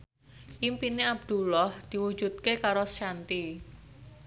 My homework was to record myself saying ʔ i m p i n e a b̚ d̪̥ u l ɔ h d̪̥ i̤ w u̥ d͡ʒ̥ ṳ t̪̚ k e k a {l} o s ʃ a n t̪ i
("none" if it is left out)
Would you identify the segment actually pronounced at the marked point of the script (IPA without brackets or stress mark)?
ɾ